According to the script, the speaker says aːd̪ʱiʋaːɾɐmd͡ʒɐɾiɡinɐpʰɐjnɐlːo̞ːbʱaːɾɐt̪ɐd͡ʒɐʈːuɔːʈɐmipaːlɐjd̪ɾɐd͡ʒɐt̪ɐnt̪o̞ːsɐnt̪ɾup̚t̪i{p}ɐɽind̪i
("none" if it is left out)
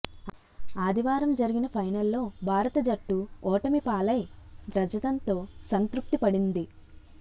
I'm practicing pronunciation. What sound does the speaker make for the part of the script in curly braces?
p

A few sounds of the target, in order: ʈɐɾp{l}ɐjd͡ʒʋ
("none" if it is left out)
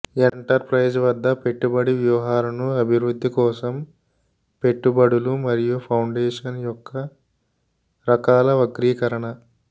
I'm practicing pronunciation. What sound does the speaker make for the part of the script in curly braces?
ɾ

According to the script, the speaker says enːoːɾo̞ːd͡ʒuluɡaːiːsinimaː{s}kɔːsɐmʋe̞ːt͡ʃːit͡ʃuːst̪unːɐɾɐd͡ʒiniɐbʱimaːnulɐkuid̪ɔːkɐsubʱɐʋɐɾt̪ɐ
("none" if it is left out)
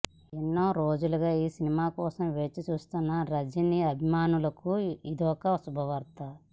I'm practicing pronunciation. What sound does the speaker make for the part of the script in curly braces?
none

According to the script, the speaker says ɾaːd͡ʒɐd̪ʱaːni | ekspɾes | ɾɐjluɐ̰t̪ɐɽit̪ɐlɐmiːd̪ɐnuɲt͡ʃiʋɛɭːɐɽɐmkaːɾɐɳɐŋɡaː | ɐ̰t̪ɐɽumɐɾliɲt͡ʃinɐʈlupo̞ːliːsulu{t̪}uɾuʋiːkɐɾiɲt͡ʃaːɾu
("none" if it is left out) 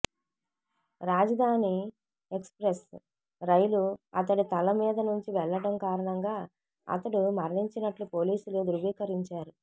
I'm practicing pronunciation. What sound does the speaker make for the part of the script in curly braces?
d̪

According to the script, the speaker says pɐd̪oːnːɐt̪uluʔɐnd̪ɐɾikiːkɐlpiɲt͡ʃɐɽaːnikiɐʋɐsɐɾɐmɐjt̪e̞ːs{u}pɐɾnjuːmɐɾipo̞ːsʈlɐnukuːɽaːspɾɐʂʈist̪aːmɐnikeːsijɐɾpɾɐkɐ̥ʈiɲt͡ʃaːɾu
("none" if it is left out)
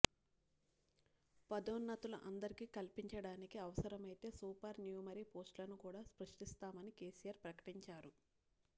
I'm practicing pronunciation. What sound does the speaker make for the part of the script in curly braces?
uː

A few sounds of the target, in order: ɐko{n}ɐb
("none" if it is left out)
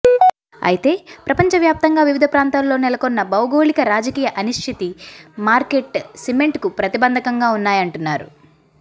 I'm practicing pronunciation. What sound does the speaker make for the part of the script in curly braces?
nː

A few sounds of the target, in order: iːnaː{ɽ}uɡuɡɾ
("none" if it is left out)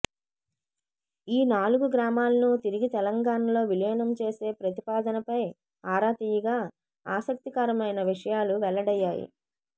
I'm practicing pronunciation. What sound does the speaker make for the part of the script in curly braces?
l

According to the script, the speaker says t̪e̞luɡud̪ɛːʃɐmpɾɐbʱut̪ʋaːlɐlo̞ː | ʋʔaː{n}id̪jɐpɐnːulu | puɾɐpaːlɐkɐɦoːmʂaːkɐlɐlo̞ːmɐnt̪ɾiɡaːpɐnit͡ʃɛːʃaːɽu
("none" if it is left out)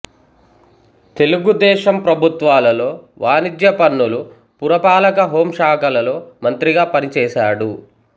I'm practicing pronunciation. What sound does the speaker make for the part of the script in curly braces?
n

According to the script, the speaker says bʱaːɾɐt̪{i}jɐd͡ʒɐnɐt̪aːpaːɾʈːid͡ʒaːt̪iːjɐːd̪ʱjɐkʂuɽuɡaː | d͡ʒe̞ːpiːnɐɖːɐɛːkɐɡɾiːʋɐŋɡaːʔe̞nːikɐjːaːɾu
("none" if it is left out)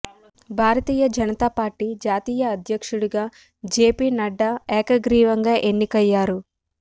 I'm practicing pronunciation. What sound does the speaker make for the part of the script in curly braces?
iː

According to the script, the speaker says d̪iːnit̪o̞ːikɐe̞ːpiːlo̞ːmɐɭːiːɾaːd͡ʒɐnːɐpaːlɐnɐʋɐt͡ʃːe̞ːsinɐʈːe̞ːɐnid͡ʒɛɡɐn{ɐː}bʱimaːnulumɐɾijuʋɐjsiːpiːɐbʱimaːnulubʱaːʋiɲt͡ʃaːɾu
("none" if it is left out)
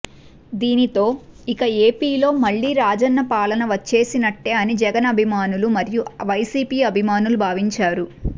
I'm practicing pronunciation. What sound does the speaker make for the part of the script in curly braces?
ɐ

